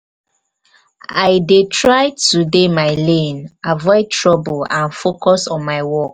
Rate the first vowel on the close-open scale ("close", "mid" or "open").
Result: open